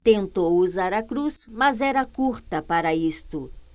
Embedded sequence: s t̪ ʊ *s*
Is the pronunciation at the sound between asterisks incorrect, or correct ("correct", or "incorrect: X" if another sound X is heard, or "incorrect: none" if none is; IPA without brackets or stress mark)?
incorrect: none